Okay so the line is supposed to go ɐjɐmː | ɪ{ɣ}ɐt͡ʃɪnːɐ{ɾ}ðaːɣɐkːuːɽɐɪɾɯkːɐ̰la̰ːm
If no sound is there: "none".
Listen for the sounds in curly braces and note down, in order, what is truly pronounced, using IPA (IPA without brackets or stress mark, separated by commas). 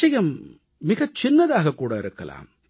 ɣ, none